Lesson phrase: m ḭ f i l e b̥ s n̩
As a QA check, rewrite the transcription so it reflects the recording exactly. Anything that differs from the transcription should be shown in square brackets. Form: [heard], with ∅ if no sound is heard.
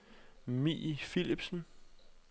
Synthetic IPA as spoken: m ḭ f i l [i] b̥ s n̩